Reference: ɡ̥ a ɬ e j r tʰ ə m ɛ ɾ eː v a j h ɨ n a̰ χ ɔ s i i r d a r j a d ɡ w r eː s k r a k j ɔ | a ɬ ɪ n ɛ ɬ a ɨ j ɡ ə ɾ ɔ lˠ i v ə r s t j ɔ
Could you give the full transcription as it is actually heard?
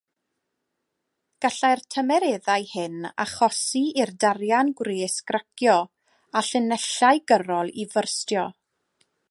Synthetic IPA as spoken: ɡ̥ a ɬ a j r tʰ ə m ɛ ɾ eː ð a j h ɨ n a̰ χ ɔ s i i r d a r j a n ɡ w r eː s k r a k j ɔ | a ɬ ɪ n ɛ ɬ a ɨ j ɡ ə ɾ ɔ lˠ i v ə r s t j ɔ